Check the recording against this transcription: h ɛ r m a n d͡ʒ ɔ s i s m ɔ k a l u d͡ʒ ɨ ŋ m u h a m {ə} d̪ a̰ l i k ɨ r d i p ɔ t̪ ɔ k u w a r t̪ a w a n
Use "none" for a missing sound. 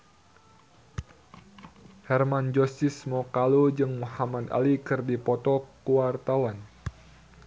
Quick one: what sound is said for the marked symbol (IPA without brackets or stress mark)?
a